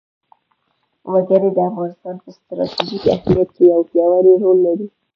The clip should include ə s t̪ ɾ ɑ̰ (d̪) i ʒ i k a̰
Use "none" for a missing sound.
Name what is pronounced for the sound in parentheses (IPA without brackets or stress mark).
t̪